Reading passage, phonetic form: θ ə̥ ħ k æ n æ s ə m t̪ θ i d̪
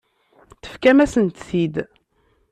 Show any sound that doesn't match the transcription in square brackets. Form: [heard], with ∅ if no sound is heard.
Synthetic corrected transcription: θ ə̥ [f] k æ [m] æ s ə [n] t̪ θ i d̪